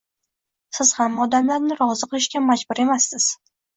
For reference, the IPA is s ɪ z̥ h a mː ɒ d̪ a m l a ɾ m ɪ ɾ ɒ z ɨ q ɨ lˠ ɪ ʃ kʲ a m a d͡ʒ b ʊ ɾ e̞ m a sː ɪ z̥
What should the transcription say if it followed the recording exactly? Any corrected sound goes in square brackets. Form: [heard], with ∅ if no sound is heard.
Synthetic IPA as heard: s ɪ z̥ h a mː ɒ d̪ a m l a ɾ [n] ɪ ɾ ɒ z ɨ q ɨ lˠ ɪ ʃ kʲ a m a d͡ʒ b ʊ ɾ e̞ m a sː ɪ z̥